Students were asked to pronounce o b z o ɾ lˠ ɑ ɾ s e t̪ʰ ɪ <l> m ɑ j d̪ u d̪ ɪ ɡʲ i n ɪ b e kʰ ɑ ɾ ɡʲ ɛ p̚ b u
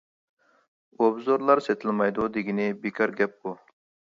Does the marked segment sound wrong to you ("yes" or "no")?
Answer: no